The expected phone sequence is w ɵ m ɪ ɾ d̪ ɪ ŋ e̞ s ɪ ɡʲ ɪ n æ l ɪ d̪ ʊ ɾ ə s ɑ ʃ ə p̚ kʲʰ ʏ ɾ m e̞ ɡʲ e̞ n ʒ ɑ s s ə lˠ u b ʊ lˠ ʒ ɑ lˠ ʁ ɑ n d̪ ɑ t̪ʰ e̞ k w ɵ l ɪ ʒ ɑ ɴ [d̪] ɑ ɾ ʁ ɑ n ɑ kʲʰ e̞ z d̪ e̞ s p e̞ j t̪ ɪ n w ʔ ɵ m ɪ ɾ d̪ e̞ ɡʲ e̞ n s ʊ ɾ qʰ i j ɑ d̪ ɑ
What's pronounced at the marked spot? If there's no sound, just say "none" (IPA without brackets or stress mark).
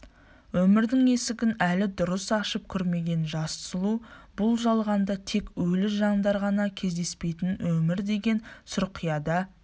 d̪